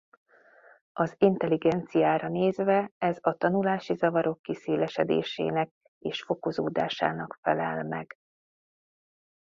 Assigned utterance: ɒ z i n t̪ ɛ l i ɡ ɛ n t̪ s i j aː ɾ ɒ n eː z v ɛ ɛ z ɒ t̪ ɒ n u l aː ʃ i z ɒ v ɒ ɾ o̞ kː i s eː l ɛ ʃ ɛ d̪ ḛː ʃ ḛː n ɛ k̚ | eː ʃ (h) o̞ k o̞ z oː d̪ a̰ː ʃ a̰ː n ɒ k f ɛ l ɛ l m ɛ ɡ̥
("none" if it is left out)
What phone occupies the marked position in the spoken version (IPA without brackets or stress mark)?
f